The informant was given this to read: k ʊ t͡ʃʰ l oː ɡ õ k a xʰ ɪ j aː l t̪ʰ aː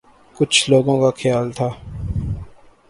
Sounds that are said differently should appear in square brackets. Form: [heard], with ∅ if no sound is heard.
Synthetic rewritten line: k ʊ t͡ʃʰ l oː ɡ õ k a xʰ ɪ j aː l t̪ʰ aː

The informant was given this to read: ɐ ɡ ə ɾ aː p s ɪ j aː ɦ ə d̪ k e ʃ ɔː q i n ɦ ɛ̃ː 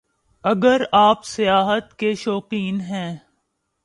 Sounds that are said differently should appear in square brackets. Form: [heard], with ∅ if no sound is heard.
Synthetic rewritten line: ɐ ɡ ə ɾ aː p s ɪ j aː ɦ ə [t̪] k e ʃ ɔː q [iː] n ɦ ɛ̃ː

